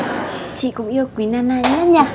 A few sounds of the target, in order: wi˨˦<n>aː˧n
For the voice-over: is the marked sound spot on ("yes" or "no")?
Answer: yes